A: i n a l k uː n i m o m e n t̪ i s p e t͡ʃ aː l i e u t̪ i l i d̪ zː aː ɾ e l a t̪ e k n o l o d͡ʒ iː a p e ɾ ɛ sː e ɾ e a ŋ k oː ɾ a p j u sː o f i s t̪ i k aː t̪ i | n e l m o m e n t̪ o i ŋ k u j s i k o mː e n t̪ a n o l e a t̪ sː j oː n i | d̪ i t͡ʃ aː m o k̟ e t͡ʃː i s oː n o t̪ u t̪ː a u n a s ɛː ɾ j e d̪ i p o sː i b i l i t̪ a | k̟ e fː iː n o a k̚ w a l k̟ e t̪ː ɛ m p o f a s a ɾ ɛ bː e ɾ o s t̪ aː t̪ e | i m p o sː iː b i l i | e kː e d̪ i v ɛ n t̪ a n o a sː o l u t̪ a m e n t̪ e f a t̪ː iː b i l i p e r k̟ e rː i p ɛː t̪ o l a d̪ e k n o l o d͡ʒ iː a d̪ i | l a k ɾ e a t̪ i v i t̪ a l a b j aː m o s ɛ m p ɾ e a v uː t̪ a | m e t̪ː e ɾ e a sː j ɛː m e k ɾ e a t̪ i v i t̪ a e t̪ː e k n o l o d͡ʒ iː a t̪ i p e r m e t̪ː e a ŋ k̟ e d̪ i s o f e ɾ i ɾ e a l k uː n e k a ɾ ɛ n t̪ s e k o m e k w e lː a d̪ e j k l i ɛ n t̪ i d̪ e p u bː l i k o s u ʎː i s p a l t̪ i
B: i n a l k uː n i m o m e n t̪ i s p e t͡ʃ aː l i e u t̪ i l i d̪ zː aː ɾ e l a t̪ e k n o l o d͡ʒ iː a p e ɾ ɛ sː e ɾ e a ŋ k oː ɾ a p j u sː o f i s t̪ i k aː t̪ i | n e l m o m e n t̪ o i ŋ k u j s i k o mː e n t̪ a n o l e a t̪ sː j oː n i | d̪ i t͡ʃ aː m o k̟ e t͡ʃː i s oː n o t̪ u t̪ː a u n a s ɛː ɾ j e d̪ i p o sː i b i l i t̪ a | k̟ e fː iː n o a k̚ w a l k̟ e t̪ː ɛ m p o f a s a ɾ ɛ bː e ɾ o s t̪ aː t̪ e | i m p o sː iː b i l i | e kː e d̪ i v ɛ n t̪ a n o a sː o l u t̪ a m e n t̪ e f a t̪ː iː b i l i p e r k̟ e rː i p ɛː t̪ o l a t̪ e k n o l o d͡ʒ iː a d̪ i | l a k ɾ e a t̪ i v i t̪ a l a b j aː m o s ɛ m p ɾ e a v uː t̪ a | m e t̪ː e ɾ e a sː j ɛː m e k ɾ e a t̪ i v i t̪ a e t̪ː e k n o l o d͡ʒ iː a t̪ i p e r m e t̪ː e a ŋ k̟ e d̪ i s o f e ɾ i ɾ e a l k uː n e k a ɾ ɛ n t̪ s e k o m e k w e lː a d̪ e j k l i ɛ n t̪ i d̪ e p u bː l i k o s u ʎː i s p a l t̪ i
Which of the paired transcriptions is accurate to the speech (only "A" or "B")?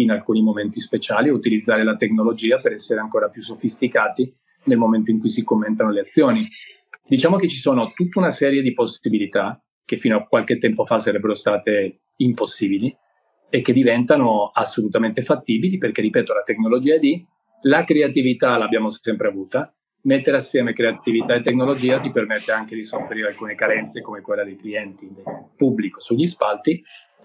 B